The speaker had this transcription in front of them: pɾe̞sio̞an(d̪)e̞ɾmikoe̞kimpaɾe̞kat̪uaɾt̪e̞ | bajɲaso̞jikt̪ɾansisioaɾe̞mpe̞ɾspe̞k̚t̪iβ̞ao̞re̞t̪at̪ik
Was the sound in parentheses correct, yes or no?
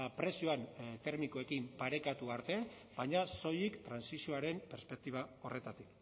no